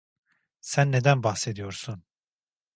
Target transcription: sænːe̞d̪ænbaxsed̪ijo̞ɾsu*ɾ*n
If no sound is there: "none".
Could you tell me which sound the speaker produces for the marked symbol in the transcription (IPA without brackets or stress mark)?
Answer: none